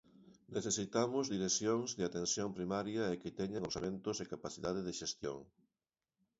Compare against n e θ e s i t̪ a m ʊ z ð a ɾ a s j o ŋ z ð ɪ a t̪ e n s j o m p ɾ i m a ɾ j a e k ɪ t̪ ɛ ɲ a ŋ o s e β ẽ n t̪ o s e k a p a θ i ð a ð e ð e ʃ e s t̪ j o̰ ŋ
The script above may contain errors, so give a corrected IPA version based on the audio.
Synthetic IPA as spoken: n e θ e s i t̪ a m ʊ z ð i ɾ e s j o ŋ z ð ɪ a t̪ e n s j o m p ɾ i m a ɾ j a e k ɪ t̪ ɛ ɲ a ŋ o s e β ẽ n t̪ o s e k a p a θ i ð a ð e ð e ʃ e s t̪ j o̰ ŋ